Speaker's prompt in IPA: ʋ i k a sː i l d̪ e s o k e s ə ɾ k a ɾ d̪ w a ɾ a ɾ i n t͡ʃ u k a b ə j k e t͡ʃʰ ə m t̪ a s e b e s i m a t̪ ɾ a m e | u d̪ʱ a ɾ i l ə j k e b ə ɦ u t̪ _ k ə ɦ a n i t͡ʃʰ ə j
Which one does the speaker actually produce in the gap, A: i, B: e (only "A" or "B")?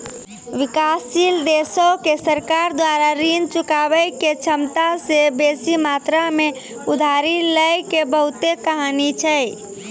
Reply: B